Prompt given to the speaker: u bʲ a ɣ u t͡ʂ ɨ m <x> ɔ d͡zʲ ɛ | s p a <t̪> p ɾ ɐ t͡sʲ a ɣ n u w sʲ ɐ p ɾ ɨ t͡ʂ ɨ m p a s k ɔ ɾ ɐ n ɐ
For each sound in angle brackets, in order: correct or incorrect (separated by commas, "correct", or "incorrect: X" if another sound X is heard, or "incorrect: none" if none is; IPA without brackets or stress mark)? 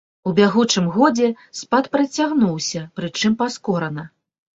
incorrect: ɣ, correct